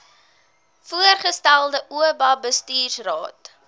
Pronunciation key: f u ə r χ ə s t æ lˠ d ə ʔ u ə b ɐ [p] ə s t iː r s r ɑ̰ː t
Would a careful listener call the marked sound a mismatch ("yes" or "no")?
yes